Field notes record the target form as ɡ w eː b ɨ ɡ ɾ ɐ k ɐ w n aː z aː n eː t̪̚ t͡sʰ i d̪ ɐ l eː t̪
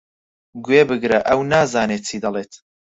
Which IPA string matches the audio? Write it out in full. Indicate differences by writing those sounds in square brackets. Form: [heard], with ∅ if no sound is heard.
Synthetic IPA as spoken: ɡ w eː b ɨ ɡ ɾ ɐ [ʔ] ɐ w n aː z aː n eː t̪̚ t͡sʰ i d̪ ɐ l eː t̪